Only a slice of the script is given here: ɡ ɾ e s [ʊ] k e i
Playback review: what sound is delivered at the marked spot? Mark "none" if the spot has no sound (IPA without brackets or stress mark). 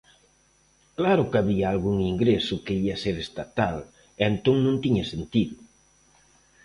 ʊ